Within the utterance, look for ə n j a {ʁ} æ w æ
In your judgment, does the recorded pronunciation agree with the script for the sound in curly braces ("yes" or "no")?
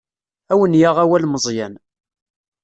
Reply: yes